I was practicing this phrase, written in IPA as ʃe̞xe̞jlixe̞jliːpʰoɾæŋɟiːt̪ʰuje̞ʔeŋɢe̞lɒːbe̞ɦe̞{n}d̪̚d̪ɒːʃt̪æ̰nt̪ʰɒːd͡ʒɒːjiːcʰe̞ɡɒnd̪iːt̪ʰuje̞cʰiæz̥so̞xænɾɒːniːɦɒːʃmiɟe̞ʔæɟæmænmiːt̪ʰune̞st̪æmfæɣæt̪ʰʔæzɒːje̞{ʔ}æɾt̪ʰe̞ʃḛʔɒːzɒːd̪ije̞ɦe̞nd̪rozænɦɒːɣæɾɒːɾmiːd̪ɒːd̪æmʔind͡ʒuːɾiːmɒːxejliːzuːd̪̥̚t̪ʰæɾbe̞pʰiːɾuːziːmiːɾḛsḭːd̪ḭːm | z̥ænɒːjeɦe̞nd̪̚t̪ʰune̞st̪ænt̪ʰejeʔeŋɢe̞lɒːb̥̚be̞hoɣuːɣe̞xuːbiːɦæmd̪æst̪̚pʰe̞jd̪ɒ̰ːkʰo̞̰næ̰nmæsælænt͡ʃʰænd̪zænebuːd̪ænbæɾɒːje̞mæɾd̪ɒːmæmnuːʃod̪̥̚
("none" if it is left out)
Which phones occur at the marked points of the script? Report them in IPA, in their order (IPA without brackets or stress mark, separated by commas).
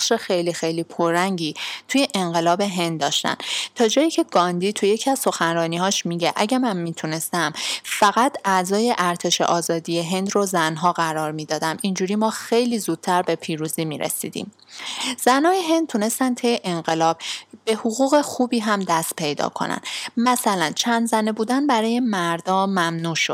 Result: n, ʔ